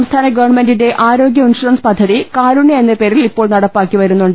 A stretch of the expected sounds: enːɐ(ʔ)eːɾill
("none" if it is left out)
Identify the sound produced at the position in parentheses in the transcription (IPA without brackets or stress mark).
p